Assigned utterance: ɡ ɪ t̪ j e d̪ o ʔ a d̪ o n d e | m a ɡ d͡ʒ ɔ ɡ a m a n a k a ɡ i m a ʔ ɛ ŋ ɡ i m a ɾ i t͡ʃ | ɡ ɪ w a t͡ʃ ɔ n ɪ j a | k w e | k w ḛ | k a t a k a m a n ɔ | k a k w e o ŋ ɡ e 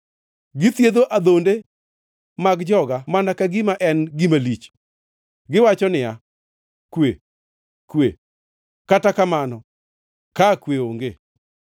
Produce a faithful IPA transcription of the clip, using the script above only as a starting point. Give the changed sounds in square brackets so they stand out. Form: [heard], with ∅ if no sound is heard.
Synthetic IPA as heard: ɡ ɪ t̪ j e d̪ o ʔ a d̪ o n d e | m a ɡ d͡ʒ ɔ ɡ a m a n a k a ɡ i m a ʔ ɛ [n] ɡ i m a [l] i t͡ʃ | ɡ ɪ w a t͡ʃ ɔ n ɪ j a | k w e | k w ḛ | k a t a k a m a n ɔ | k a k w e o ŋ ɡ e

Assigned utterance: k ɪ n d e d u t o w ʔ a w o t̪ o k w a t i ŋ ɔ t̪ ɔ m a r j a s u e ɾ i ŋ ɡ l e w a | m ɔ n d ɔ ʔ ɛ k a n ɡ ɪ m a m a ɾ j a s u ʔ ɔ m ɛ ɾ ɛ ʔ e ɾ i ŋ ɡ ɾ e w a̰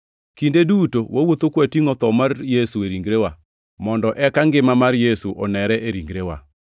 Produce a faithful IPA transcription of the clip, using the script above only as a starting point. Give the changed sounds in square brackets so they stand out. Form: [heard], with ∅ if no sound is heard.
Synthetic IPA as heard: k [i] n d e d u t o w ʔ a w o t̪ o k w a t i ŋ ɔ t̪ ɔ m a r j [e] s u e ɾ i ŋ ɡ [ɾ] e w a | m ɔ n d ɔ ʔ ɛ k a [ŋ] ɡ ɪ m a m a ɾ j [e] s u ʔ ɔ [n] ɛ ɾ ɛ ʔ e ɾ i ŋ ɡ ɾ e w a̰

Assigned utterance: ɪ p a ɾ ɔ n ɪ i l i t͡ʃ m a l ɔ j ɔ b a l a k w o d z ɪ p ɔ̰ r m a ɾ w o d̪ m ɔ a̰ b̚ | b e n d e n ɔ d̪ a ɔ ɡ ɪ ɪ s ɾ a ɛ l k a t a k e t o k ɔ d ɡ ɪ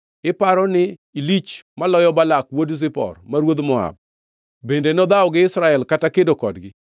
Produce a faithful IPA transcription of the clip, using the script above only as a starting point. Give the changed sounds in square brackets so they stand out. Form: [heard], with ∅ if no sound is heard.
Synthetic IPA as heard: ɪ p a ɾ ɔ n ɪ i l i t͡ʃ m a l ɔ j ɔ b a l a k w o d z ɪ p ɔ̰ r m a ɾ w o d̪ m ɔ a̰ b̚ | b e n d e n ɔ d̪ a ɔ ɡ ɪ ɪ s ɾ a ɛ l k a t a k e [d] o k ɔ d ɡ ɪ

